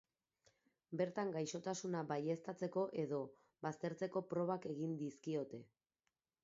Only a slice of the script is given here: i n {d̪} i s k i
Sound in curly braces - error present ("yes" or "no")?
no